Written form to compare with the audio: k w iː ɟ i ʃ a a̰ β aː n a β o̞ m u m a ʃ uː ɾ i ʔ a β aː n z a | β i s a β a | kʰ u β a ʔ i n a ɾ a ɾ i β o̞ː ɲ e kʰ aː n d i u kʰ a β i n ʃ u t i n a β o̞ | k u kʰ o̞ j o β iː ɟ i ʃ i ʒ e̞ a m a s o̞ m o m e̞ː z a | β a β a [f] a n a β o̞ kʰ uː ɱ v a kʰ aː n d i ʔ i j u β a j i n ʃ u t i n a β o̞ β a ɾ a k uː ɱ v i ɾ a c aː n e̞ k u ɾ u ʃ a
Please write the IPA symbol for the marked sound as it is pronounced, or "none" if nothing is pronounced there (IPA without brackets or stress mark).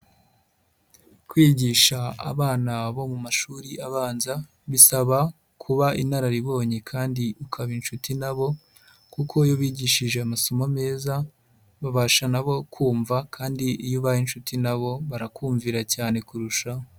ʃ